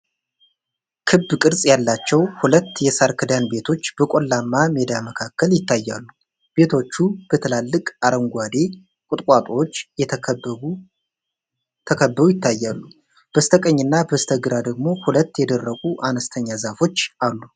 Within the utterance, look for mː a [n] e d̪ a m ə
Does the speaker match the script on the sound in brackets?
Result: no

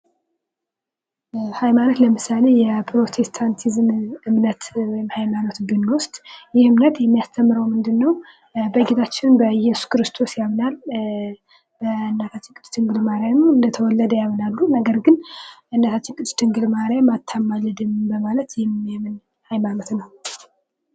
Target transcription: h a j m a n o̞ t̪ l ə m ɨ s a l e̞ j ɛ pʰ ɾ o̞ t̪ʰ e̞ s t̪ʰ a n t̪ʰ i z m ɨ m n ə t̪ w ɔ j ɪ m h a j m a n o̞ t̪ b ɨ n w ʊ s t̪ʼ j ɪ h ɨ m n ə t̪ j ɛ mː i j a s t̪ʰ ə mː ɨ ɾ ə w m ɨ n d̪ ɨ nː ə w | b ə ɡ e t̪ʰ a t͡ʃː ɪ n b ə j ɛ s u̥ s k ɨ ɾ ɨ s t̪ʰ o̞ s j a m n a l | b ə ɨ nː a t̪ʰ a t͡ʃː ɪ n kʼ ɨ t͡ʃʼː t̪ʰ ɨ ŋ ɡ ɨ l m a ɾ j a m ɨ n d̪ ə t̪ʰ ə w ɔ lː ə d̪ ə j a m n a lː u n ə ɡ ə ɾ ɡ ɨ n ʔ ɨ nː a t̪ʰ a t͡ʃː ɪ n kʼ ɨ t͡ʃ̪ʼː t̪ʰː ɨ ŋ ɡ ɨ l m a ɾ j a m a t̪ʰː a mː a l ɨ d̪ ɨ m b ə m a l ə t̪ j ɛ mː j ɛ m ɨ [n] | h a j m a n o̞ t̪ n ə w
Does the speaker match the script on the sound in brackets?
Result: yes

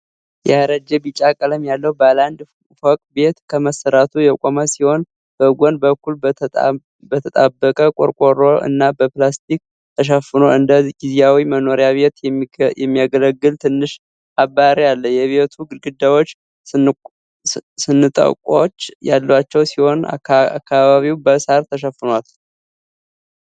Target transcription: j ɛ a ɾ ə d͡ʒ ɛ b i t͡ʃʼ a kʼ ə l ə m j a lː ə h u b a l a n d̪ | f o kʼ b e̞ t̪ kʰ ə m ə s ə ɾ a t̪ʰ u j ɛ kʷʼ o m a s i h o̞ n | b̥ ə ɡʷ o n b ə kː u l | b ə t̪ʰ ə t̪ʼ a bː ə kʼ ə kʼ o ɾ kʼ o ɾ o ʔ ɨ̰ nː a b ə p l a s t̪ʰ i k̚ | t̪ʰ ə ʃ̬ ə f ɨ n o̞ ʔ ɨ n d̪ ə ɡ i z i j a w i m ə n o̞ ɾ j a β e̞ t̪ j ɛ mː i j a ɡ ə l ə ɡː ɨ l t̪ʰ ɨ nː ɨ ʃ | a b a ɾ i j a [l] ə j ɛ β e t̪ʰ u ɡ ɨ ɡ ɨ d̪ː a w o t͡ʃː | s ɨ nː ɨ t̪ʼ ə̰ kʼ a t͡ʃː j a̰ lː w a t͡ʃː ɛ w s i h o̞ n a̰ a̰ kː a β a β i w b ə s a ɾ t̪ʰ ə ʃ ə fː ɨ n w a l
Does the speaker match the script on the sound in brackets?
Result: no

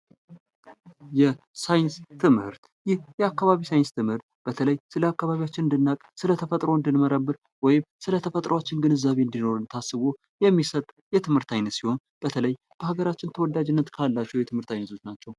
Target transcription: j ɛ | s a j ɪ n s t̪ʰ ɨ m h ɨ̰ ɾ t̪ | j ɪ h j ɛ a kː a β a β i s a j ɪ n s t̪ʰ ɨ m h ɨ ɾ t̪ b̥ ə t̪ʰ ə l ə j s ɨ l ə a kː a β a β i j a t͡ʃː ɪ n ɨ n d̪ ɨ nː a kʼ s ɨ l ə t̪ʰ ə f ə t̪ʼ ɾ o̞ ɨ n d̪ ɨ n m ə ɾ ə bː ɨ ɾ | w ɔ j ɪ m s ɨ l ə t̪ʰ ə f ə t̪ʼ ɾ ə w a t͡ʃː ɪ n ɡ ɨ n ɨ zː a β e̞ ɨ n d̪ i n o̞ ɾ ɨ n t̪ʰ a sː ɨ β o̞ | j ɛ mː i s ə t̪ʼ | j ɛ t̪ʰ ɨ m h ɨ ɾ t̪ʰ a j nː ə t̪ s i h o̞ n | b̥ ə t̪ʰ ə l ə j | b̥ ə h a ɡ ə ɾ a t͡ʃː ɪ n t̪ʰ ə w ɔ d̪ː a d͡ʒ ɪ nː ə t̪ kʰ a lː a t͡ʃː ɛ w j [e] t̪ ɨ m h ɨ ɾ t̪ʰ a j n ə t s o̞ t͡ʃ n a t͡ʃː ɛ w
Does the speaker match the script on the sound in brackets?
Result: no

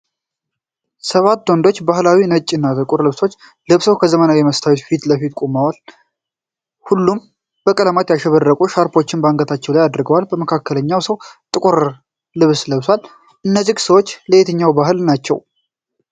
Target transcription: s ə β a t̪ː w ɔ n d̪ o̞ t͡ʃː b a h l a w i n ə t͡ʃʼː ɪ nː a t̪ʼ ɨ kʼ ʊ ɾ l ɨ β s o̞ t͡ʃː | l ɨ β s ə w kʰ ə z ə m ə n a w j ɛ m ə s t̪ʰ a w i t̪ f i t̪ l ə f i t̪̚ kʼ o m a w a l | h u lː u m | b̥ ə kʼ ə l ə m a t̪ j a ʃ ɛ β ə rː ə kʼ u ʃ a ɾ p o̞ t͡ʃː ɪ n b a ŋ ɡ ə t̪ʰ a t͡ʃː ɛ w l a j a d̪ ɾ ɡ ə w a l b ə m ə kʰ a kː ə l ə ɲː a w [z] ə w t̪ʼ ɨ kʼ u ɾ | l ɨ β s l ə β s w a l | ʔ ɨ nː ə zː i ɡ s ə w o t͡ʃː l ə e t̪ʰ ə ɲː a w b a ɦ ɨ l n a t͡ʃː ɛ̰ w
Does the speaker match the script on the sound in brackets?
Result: no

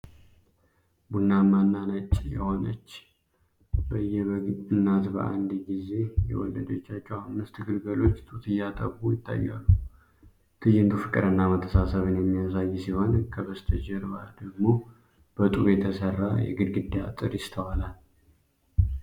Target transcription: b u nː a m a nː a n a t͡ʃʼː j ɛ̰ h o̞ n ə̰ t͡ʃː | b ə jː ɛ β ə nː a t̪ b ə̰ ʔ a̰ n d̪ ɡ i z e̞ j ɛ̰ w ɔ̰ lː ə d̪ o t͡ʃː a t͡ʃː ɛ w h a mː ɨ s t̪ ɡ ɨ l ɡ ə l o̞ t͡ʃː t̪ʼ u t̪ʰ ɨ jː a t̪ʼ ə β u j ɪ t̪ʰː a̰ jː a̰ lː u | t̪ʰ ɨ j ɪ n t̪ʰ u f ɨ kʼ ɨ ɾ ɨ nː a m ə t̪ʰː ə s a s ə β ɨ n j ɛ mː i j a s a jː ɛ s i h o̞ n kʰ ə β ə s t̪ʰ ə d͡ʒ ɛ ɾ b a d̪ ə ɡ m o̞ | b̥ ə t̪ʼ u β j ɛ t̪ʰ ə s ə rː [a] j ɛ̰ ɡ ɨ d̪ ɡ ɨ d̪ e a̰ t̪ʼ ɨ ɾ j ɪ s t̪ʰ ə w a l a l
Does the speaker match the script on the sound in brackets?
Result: yes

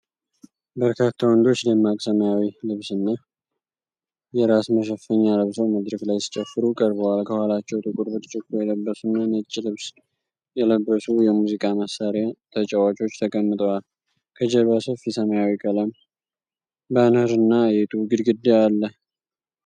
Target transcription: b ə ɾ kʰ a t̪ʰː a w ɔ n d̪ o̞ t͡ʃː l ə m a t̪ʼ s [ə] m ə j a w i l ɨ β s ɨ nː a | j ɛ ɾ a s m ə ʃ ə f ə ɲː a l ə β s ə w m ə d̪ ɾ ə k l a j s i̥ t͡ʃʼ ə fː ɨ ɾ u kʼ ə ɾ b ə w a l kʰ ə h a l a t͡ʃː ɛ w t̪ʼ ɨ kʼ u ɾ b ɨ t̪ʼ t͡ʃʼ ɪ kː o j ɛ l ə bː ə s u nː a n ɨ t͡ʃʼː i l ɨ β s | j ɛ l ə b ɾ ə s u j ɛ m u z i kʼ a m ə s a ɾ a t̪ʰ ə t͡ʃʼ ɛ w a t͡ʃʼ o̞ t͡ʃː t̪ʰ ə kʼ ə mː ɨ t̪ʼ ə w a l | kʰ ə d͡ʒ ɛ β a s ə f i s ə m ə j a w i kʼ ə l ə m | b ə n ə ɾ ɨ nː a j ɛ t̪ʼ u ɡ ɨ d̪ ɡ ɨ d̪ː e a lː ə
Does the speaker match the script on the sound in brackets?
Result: yes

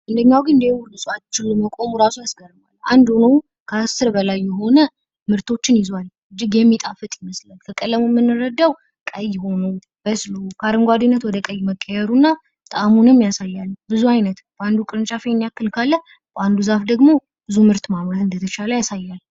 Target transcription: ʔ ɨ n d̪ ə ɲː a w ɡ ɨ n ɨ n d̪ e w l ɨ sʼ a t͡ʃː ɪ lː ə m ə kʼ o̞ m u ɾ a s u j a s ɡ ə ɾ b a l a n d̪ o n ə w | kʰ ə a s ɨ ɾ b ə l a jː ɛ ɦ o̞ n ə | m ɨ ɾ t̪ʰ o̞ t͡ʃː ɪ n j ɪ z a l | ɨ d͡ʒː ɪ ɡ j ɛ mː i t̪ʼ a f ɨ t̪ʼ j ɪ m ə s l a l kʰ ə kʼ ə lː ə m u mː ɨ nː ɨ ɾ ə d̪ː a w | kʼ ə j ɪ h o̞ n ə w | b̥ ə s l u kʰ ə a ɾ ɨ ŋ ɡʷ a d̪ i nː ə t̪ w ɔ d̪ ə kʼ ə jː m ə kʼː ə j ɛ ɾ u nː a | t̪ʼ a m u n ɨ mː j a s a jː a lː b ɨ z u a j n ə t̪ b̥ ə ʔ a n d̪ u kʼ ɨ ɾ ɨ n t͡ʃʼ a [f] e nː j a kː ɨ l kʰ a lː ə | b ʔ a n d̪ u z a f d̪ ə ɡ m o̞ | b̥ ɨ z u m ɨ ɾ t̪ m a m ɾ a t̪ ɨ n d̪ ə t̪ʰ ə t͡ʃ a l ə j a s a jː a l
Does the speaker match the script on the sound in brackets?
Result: yes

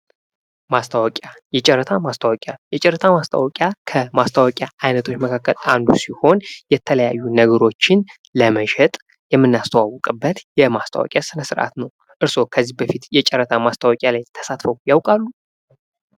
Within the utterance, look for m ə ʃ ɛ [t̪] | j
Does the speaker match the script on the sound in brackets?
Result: no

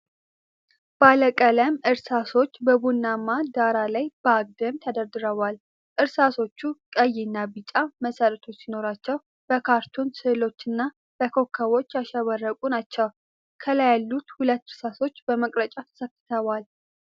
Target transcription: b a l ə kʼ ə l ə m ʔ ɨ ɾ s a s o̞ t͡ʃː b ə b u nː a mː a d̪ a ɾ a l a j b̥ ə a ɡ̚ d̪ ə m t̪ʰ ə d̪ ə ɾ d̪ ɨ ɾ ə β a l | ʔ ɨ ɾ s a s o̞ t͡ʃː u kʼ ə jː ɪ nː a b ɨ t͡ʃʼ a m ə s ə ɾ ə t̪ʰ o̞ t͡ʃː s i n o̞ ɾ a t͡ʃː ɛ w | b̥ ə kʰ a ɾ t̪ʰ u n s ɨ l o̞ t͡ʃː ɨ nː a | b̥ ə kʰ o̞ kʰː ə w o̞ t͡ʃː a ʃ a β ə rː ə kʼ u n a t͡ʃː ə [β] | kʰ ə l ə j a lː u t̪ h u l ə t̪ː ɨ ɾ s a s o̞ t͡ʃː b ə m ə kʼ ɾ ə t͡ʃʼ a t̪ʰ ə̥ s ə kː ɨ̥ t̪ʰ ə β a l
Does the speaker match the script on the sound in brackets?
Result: no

